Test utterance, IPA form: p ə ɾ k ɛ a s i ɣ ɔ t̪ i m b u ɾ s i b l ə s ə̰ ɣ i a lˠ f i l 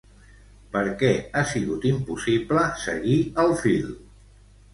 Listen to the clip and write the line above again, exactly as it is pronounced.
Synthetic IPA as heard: p ə ɾ k ɛ a s i ɣ u t̪ i m p u s i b l ə s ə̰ ɣ i ə lˠ f i l